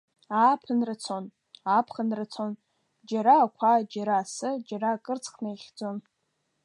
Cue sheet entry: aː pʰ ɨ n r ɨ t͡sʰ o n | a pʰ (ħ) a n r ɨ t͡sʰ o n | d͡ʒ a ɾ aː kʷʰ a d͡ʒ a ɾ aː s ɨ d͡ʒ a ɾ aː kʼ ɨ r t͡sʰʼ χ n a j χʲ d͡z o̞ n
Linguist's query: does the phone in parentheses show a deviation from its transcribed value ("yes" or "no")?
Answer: yes